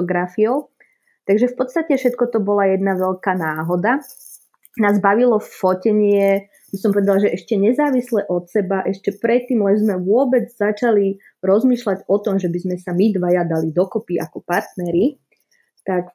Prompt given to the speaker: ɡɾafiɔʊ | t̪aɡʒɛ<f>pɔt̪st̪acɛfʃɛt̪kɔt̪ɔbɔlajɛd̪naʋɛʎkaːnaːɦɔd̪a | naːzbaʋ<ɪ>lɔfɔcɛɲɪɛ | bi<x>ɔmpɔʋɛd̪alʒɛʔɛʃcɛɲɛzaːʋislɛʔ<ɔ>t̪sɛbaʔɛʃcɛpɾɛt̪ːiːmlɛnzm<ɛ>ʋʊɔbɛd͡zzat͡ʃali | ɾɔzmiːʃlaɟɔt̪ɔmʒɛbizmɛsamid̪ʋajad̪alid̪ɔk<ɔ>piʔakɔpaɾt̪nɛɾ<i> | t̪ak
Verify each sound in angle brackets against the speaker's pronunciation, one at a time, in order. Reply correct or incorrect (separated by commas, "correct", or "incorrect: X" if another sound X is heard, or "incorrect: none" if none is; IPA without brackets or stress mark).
correct, incorrect: i, incorrect: s, correct, correct, correct, correct